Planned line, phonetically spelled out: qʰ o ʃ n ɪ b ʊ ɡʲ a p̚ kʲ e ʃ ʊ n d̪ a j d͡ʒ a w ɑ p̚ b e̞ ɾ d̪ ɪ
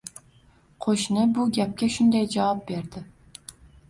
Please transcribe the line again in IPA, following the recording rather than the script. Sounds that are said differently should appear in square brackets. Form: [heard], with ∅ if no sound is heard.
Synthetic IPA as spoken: qʰ o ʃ n ɪ b ʊ ɡʲ a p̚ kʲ [a] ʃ ʊ n d̪ a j d͡ʒ a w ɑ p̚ b e̞ ɾ d̪ ɪ